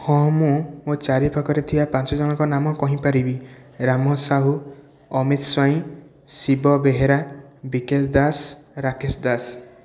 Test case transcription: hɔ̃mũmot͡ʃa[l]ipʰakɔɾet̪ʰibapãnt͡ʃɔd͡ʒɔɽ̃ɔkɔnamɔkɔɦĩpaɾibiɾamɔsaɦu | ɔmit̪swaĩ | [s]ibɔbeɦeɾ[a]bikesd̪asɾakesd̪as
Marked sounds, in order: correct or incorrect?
incorrect: ɾ, correct, correct

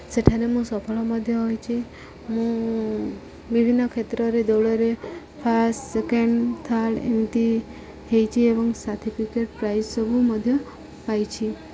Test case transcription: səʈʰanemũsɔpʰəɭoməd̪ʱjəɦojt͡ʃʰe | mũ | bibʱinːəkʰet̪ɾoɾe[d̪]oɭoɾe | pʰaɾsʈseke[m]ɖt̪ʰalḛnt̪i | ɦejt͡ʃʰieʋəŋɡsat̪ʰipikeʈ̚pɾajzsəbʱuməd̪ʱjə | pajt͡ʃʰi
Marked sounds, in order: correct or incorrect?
correct, incorrect: ɳ

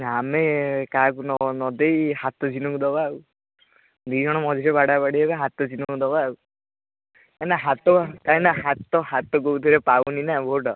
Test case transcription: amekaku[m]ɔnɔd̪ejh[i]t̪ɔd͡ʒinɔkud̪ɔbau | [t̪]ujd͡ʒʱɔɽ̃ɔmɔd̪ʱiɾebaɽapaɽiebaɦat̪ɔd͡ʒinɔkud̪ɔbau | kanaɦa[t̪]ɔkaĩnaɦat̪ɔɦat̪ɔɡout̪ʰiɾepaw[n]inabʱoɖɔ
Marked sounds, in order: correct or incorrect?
incorrect: n, incorrect: a, incorrect: d̪, correct, correct

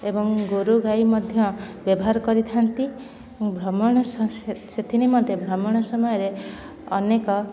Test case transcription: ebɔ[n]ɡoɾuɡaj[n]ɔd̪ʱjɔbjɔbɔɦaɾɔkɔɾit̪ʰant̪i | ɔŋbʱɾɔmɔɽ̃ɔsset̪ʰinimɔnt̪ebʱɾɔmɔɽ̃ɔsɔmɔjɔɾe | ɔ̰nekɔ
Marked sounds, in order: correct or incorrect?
incorrect: ŋ, incorrect: m

